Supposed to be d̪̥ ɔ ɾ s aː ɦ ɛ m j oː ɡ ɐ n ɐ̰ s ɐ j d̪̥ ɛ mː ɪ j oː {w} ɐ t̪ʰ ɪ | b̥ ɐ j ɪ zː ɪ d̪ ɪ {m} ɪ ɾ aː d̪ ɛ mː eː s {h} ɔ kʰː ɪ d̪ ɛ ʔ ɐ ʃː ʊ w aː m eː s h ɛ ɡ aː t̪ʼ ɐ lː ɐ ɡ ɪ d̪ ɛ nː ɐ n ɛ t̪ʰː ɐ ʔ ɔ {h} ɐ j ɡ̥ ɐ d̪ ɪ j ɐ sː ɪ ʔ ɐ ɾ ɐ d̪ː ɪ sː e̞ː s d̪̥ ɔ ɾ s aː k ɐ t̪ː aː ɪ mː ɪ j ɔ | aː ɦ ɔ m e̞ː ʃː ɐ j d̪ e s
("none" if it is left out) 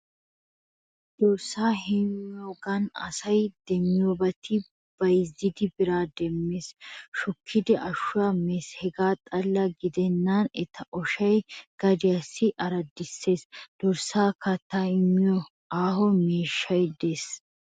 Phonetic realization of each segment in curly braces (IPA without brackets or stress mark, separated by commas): b, b, ʃ, ʃ